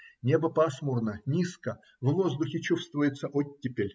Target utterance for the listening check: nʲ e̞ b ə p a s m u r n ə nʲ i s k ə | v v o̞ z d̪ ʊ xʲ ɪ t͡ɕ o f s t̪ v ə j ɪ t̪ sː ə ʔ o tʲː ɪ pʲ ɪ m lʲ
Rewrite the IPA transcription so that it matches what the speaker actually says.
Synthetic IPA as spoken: nʲ e̞ b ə p a s m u r n ə nʲ i s k ə | v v o̞ z d̪ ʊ xʲ ɪ t͡ɕ u f s t̪ v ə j ɪ t̪ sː ə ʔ o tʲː ɪ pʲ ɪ lʲ